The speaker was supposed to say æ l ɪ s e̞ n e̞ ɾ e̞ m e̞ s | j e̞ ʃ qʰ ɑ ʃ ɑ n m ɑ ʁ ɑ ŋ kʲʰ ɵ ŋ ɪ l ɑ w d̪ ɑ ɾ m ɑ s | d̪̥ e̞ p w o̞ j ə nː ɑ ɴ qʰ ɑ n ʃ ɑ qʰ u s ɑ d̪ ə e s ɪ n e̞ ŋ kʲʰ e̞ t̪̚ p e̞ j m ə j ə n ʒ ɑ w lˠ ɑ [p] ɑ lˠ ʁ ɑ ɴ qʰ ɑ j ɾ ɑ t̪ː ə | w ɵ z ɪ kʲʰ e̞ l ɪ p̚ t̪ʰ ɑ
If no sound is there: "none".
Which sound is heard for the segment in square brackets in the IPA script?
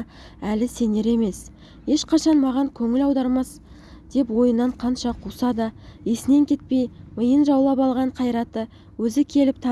p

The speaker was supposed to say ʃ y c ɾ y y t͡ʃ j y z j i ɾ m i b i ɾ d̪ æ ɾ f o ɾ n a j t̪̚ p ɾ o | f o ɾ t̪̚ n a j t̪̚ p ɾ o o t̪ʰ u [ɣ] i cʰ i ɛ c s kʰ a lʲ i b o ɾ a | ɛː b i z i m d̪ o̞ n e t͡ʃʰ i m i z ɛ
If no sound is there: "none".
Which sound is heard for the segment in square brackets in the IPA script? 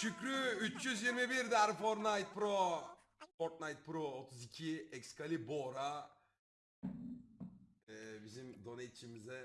z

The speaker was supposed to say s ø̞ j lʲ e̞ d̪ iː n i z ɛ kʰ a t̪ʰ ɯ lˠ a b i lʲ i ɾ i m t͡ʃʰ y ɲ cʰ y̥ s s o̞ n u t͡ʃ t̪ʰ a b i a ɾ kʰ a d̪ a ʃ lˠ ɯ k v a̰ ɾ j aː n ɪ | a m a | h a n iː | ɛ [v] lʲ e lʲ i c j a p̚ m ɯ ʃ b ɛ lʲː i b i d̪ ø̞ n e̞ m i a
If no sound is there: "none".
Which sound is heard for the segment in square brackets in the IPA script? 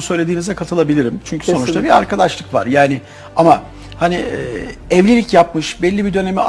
v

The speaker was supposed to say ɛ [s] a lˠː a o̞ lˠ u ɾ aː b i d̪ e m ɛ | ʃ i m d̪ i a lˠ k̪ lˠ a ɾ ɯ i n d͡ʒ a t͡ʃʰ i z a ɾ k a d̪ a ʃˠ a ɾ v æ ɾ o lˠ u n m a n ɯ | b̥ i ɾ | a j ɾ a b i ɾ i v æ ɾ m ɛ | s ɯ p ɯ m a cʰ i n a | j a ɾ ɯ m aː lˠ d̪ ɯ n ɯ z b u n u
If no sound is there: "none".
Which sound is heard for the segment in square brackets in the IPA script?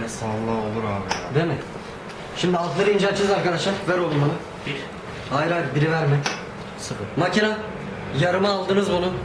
s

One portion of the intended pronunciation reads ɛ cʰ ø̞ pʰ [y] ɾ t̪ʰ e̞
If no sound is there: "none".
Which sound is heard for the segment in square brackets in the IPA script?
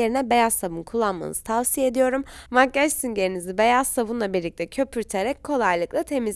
y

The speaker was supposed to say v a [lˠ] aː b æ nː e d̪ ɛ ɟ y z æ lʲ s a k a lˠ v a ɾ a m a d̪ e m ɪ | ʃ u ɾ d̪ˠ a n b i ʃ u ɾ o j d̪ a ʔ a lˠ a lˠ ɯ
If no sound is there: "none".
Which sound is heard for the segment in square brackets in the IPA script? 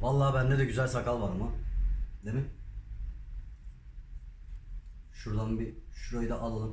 lˠː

